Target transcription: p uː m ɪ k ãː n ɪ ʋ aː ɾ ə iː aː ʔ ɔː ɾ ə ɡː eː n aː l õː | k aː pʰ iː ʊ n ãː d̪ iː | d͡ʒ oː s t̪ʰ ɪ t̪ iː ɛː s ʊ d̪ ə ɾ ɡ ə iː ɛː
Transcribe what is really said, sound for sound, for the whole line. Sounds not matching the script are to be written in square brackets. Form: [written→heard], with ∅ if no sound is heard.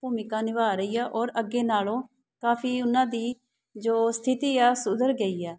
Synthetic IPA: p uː m ɪ k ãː n ɪ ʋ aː ɾ ə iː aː ʔ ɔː ɾ ə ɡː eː n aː l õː | k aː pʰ iː ʊ n ãː d̪ iː | d͡ʒ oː s t̪ʰ ɪ t̪ iː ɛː s ʊ d̪ ə ɾ ɡ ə iː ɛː